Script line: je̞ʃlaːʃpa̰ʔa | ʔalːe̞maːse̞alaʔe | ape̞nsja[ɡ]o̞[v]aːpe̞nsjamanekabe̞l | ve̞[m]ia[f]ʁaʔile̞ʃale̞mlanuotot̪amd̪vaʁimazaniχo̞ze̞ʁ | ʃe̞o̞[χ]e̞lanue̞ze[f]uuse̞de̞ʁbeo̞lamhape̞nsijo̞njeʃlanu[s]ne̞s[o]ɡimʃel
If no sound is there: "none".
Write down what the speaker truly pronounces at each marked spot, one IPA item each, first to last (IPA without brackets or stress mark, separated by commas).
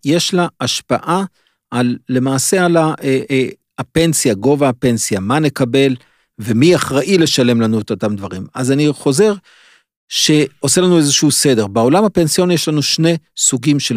ɡ, v, m, χ, s, ʃ, ʃ, u